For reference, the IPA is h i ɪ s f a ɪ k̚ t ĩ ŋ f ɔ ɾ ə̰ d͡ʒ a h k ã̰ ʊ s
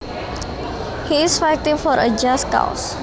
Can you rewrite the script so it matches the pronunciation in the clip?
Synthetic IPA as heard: h i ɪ s f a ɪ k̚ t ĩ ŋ f ɔ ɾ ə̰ d͡ʒ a s k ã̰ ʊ s